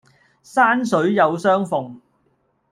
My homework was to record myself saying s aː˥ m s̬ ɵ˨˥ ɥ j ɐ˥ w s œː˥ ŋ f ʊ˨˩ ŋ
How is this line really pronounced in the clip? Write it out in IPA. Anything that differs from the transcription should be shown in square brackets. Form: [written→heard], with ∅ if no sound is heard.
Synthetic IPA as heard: s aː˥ [m→n] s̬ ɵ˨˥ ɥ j [ɐ˥→ɐ˨˧] w s œː˥ ŋ f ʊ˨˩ ŋ